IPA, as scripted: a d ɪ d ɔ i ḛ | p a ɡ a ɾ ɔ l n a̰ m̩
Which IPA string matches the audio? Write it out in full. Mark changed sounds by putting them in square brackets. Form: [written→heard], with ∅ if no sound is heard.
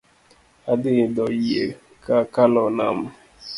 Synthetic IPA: a d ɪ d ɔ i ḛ | [p→k] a [ɡ→k] a [ɾ→l] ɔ [l→∅] n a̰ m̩